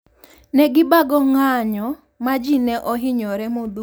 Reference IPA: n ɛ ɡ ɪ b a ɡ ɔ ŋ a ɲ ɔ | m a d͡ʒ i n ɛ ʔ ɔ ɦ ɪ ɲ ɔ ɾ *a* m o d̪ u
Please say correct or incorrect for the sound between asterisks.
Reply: incorrect: ɛ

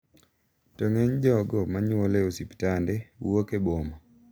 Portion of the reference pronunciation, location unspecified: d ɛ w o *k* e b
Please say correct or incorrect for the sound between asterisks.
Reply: correct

